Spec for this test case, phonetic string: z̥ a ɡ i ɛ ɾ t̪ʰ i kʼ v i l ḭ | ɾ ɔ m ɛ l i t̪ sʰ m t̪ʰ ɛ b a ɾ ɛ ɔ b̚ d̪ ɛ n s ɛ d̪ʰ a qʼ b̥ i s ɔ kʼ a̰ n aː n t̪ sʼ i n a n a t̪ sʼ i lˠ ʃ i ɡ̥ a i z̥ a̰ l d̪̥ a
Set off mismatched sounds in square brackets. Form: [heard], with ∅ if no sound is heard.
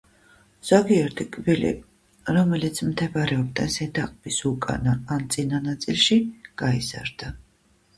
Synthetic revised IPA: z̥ a ɡ i ɛ ɾ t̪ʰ i kʼ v i l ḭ | ɾ ɔ m ɛ l i t̪ sʰ m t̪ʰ ɛ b a ɾ ɛ ɔ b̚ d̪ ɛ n s ɛ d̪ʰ a qʼ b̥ i s [u] kʼ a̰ n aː n t̪ sʼ i n a n a t̪ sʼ i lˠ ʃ i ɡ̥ a i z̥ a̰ [ɾ] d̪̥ a